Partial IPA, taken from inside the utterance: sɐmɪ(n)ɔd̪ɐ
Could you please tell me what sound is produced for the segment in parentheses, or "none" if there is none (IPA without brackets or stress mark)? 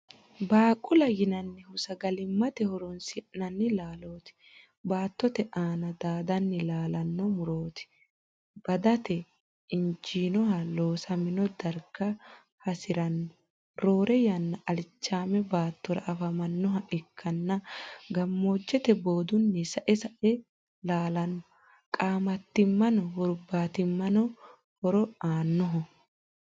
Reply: n